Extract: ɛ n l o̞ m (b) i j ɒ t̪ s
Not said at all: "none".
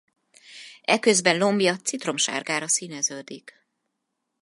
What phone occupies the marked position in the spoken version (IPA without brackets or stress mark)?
b